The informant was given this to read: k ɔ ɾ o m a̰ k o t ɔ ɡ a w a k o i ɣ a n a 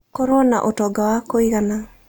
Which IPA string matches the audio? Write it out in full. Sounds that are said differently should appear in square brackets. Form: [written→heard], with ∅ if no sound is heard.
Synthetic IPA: k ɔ ɾ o [m→n] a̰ [k→ʔ] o t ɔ ɡ a w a k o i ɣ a n a